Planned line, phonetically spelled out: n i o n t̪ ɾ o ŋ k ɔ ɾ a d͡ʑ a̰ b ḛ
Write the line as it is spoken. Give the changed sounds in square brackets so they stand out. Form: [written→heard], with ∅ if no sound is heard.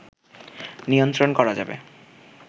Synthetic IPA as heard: n i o n t̪ ɾ o [ŋ→n] k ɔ ɾ a d͡ʑ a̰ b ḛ